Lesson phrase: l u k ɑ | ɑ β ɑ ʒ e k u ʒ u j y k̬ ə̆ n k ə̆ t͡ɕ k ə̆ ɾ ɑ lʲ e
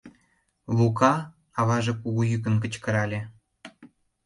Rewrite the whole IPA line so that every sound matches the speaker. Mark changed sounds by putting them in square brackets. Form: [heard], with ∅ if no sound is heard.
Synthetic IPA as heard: l u k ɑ | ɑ β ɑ ʒ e k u [ɣ] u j y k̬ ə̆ n k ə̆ t͡ɕ k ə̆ ɾ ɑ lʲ e

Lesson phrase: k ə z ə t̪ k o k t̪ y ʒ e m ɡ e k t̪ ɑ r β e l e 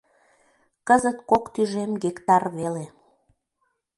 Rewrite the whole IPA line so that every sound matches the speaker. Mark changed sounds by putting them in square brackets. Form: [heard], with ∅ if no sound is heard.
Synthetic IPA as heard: k ə z ə t̪ k o k t̪ y ʒ e m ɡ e k t̪ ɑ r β e l e

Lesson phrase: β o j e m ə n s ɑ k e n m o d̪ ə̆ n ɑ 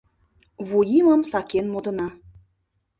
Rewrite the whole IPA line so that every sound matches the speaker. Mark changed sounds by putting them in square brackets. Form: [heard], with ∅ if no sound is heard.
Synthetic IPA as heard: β [u] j [i] m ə [m] s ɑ k e n m o d̪ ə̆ n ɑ

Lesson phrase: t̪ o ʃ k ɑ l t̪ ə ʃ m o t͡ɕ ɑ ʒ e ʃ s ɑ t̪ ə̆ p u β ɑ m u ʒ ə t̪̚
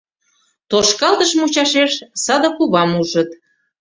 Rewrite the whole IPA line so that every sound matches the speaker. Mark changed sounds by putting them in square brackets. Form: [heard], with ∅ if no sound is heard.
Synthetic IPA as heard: t̪ o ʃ k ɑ l t̪ ə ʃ m [u] t͡ɕ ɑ [ʃ] e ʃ s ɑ [d̪] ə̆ [k] u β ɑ m u ʒ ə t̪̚

